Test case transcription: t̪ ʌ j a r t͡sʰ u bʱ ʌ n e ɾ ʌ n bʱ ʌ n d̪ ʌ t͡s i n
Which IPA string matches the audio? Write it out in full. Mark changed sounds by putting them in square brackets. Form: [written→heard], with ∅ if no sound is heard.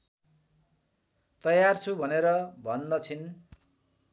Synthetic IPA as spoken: t̪ ʌ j a r t͡sʰ u bʱ ʌ n e ɾ ʌ [n→∅] bʱ ʌ n d̪ ʌ [t͡s→t͡sʰ] i n

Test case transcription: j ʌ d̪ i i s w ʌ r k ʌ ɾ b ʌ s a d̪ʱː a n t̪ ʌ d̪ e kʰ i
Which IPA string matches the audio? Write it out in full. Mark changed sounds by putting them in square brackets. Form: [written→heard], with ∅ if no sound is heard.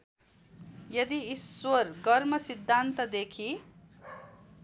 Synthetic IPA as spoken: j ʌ d̪ i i s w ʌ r [k→ɡ] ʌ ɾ [b→m] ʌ s [a→i] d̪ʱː a n t̪ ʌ d̪ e kʰ i

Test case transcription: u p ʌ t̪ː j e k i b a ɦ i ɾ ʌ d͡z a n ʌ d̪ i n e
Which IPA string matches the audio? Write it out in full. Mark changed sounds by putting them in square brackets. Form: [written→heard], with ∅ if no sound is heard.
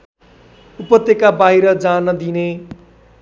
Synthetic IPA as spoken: u p ʌ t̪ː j e k [i→a] b a ɦ i ɾ ʌ d͡z a n ʌ d̪ i n e

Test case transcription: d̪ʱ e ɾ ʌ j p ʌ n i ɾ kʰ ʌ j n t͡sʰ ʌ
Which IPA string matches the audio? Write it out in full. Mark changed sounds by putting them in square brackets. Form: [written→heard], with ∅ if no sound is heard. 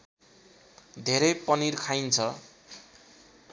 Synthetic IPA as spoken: d̪ʱ e ɾ ʌ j p ʌ n i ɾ kʰ [ʌ→a] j n t͡sʰ ʌ

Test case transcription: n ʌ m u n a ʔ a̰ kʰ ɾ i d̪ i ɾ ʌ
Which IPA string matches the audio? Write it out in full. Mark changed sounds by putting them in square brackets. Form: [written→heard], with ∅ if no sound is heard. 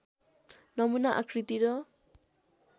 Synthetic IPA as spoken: n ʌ m u n a ʔ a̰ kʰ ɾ i [d̪→t̪] i ɾ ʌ

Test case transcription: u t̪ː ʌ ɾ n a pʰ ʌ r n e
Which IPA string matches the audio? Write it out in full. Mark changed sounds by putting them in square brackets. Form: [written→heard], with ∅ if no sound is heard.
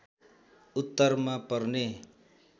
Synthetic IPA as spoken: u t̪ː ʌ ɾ [n→m] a [pʰ→p] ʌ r n e

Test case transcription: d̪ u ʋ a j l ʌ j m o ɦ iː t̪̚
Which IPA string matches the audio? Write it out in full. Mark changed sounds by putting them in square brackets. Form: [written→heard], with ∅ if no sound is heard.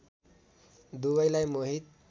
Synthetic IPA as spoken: d̪ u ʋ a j l [ʌ→a] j m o ɦ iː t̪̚

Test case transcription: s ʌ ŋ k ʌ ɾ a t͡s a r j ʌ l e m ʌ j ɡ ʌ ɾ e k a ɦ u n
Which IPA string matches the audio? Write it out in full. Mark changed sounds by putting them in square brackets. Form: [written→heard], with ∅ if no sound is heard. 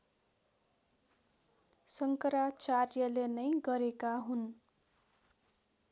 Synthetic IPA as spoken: s ʌ ŋ k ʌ ɾ a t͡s a r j ʌ l e [m→n] ʌ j ɡ ʌ ɾ e k a ɦ u n

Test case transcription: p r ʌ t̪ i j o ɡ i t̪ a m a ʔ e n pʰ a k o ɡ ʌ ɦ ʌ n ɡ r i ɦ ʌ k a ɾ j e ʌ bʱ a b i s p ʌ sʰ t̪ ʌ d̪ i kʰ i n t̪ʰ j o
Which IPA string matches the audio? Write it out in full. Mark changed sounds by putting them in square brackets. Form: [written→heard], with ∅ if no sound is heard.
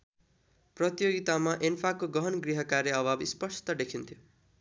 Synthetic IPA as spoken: p r ʌ t̪ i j o ɡ i t̪ a m a ʔ e n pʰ a k o ɡ ʌ ɦ ʌ n ɡ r i ɦ ʌ k a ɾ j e ʌ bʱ a b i s p ʌ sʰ t̪ ʌ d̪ [i→e] kʰ i n t̪ʰ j o

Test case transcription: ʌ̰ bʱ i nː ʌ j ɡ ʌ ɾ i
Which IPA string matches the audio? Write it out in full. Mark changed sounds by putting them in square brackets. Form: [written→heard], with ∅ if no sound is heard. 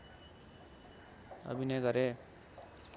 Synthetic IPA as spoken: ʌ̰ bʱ i [nː→n] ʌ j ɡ ʌ ɾ [i→e]

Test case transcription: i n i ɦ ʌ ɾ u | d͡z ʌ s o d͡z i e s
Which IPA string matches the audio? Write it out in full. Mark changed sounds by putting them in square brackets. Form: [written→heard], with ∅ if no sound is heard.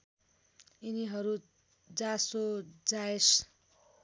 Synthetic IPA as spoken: i n i ɦ ʌ ɾ u | d͡z [ʌ→a] s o d͡z [i→a] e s

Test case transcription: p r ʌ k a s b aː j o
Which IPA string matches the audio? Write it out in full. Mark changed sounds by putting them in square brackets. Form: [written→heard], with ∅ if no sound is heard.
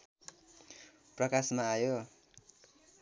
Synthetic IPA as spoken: p r ʌ k a s [b→m] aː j o

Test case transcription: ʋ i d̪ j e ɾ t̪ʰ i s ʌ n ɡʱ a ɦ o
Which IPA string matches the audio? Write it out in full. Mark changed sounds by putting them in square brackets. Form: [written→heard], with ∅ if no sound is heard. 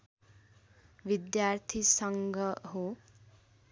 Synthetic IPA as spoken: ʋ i d̪ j [e→a] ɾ t̪ʰ i s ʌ [n→ŋ] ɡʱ [a→ʌ] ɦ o

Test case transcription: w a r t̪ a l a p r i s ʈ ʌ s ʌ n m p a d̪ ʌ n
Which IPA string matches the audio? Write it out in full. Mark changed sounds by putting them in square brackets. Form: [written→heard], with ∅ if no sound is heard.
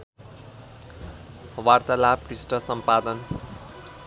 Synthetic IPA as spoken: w a r t̪ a l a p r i s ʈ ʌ s ʌ [n→∅] m p a d̪ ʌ n

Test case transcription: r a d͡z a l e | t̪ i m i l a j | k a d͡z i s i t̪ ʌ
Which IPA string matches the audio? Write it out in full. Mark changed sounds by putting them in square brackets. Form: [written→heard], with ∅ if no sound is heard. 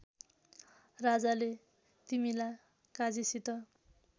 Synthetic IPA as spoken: r a d͡z a l e | t̪ i m i l a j | k a d͡z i s i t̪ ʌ

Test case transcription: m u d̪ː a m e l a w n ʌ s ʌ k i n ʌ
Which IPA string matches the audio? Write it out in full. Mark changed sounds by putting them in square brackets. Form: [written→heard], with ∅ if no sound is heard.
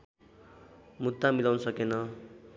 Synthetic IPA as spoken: m u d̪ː a m [e→i] l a w n ʌ s ʌ k [i→e] n ʌ

